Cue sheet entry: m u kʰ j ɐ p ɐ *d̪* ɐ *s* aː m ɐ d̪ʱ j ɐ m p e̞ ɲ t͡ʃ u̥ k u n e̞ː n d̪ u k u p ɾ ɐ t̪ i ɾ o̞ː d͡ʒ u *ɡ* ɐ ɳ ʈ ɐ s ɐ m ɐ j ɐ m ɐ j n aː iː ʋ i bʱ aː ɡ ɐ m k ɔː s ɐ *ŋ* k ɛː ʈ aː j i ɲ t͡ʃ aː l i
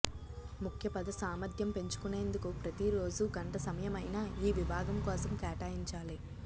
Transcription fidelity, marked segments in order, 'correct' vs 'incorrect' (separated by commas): correct, correct, correct, incorrect